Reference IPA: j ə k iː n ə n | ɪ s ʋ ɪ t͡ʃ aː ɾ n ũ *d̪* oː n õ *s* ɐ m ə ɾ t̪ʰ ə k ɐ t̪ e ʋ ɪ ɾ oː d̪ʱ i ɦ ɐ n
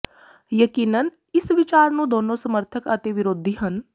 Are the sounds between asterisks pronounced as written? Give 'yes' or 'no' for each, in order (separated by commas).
yes, yes